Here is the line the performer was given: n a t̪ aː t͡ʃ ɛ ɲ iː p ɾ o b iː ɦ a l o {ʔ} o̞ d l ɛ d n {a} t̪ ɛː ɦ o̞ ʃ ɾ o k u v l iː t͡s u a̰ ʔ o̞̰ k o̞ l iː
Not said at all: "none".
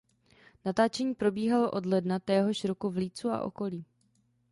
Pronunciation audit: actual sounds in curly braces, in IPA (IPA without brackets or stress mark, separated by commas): ʔ, a